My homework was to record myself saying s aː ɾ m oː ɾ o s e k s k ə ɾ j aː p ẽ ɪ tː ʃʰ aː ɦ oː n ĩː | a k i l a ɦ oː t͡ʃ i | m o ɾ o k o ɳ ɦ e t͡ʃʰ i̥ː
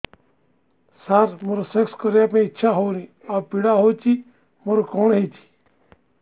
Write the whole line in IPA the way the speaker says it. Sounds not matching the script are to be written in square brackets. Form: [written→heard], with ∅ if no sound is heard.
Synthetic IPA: s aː ɾ m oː ɾ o s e k s k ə ɾ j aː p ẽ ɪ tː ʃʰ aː ɦ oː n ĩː | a [k→p] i [l→ɽ] a ɦ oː t͡ʃ i | m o ɾ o k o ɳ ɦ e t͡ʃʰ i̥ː